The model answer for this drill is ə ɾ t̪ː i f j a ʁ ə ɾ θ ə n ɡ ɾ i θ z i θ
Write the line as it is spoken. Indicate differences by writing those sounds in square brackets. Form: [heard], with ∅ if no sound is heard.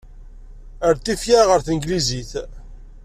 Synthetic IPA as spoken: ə ɾ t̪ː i f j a ʁ ə ɾ θ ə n ɡ [l] i [∅] z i θ